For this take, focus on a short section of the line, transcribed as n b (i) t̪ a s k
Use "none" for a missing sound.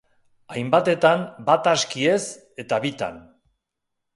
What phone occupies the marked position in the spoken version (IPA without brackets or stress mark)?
a